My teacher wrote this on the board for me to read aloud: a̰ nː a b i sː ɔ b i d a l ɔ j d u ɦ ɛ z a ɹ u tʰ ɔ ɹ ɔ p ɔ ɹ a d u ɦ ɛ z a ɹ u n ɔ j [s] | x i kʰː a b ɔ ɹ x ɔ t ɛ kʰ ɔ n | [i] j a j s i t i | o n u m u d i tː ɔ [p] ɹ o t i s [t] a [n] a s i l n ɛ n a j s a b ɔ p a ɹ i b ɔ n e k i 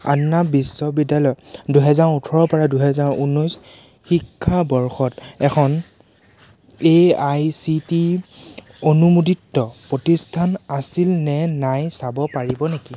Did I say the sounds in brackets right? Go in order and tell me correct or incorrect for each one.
correct, incorrect: e, correct, incorrect: tʰ, correct

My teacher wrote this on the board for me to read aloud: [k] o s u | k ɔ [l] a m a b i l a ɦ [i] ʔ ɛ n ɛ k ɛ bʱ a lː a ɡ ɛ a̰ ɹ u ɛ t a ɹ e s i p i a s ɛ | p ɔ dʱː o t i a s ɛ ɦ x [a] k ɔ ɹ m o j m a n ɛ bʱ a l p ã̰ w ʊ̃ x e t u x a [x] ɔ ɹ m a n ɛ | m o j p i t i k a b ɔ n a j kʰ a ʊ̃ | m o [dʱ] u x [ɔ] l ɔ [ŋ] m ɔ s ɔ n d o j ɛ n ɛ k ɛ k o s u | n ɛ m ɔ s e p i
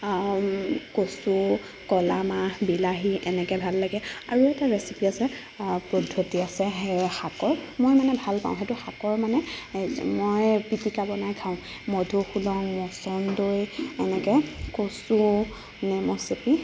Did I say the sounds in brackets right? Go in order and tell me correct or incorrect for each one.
correct, correct, correct, correct, incorrect: k, correct, incorrect: u, correct

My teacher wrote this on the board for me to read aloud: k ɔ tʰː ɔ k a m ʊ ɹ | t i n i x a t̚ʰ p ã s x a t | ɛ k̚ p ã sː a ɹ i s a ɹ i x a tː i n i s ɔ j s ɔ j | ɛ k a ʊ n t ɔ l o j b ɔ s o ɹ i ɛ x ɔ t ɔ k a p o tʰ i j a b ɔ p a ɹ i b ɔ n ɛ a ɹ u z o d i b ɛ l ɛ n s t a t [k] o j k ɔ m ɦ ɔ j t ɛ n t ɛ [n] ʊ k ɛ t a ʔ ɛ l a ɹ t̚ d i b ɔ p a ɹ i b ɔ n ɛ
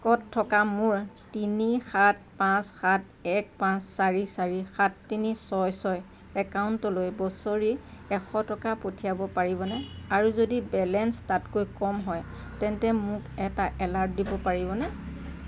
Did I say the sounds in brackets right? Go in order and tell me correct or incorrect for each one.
correct, incorrect: m

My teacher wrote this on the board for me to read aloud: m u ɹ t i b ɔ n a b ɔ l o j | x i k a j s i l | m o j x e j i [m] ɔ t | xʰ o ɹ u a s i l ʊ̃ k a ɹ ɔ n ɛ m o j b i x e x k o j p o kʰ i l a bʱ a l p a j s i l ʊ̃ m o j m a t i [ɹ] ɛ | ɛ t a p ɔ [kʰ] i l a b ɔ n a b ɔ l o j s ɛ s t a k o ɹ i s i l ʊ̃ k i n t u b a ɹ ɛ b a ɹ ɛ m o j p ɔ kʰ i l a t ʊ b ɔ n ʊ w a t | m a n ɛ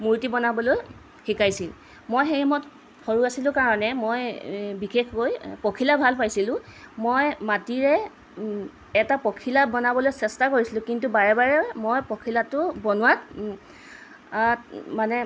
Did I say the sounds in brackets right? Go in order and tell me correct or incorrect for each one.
correct, correct, correct

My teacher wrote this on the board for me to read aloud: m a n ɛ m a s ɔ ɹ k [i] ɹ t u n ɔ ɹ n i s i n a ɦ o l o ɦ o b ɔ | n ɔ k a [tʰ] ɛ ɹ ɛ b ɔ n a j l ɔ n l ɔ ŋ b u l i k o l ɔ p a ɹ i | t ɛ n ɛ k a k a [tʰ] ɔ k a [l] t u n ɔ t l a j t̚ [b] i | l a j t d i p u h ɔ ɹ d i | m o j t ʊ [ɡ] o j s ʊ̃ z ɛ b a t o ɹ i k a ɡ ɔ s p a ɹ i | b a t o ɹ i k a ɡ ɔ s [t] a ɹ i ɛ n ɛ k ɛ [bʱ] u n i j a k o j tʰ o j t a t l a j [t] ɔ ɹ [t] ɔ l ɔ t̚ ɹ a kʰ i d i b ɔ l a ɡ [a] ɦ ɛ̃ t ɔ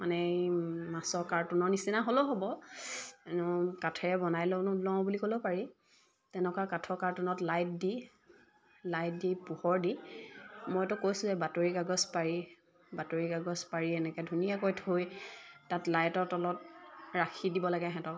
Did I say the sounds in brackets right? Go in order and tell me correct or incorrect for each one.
incorrect: a, correct, correct, incorrect: ɹ, incorrect: d, incorrect: k, incorrect: p, incorrect: dʱ, correct, correct, incorrect: ɛ

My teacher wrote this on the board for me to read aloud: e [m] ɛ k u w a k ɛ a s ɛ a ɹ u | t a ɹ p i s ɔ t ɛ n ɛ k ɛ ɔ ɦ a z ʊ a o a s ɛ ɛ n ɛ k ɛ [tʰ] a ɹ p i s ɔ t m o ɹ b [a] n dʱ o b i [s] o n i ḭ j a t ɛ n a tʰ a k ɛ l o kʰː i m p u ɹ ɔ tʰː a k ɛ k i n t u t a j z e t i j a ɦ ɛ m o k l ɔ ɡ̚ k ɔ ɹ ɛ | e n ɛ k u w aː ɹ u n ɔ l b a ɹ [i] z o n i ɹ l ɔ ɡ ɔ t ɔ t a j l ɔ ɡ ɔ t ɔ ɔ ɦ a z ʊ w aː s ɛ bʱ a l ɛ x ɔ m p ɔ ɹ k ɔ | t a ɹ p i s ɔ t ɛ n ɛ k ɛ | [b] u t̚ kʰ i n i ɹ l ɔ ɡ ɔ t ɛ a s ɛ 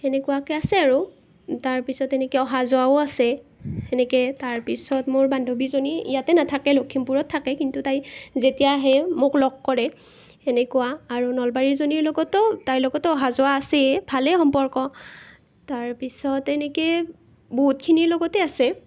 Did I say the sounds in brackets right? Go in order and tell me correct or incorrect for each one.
incorrect: n, incorrect: t, correct, incorrect: z, correct, correct

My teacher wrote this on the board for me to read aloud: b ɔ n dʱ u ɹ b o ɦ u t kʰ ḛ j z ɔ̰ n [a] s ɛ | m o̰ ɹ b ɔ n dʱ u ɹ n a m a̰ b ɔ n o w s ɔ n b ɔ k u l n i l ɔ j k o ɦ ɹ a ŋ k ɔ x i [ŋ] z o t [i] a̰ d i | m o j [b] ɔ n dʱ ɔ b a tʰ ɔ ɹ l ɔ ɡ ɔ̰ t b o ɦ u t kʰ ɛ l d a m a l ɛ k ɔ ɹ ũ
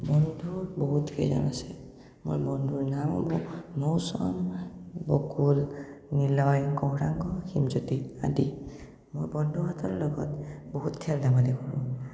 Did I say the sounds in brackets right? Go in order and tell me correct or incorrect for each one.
correct, incorrect: m, correct, correct

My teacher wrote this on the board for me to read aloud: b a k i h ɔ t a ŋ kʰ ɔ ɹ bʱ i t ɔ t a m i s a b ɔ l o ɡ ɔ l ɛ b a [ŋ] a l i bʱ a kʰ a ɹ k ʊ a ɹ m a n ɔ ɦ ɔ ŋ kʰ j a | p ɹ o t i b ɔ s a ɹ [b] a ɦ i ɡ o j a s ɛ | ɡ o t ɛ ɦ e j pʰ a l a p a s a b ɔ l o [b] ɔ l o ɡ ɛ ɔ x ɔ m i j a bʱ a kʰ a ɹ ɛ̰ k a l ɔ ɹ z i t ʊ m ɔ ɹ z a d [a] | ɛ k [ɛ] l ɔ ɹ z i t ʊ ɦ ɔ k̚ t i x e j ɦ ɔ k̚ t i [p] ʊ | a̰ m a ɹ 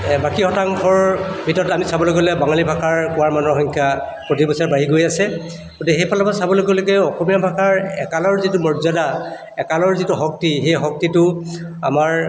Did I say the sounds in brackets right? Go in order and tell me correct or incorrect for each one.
correct, correct, incorrect: ɡ, correct, incorrect: a, incorrect: t

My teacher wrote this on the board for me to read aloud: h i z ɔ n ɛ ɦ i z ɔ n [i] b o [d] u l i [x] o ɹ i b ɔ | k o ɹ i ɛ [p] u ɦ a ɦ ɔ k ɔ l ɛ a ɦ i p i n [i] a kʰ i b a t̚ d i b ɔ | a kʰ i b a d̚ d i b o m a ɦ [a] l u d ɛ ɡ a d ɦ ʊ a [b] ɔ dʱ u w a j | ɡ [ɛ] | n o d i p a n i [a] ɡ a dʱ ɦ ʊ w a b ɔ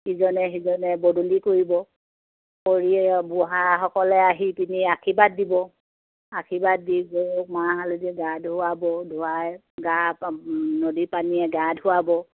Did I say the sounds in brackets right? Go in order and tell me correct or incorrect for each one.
incorrect: ɛ, correct, incorrect: k, incorrect: b, correct, correct, correct, incorrect: a, incorrect: ɛ

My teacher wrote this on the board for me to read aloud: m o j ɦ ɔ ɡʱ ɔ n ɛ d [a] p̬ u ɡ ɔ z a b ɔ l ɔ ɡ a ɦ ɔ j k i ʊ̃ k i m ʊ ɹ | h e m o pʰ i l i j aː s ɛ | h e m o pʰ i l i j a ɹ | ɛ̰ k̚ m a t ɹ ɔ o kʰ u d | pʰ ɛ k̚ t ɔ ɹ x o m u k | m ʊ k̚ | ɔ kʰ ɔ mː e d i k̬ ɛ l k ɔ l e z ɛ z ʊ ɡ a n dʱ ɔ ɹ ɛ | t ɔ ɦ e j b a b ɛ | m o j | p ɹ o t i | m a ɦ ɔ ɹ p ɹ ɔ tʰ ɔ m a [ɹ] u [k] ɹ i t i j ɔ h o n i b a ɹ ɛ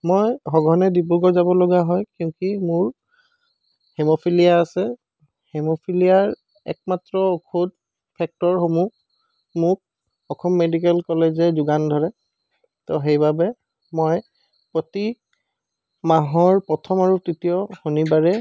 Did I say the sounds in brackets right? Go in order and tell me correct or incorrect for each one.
incorrect: i, correct, incorrect: t

